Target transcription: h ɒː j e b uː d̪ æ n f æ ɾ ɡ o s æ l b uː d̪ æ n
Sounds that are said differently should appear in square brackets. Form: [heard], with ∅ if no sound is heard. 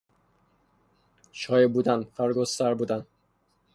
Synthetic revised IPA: [ʃ] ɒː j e b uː d̪ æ n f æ ɾ ɡ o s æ [ɾ] b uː d̪ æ n